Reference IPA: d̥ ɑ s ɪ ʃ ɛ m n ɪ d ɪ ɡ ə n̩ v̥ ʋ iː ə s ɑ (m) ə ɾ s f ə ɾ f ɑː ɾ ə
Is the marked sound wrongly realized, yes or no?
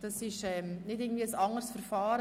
yes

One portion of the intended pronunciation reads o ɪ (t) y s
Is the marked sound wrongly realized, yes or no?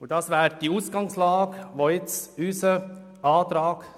yes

